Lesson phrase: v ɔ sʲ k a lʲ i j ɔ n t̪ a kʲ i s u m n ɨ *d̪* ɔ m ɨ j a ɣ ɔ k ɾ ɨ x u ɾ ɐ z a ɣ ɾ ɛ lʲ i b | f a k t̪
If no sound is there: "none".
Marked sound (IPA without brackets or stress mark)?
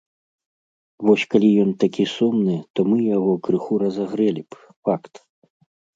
t̪